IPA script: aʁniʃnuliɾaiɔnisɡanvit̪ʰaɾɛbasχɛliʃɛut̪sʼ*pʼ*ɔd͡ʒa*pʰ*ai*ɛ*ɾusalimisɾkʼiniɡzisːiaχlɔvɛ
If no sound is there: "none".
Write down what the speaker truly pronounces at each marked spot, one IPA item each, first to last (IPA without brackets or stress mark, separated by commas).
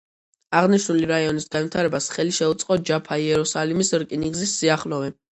qʼ, pʰ, ɛ